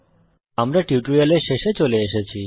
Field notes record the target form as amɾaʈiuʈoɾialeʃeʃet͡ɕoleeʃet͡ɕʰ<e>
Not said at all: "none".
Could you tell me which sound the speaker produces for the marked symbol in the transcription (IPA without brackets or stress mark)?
i